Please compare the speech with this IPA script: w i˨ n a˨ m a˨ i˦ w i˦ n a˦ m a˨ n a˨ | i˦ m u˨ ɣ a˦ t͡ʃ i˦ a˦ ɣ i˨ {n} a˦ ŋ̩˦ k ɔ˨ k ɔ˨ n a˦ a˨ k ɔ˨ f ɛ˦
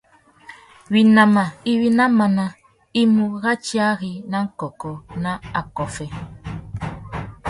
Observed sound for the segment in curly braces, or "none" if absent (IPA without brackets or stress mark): n